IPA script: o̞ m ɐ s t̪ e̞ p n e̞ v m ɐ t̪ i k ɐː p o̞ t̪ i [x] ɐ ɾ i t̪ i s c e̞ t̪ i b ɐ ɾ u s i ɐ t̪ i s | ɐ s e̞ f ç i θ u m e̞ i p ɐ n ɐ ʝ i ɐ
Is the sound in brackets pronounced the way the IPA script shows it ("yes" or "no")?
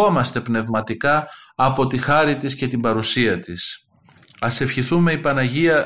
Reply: yes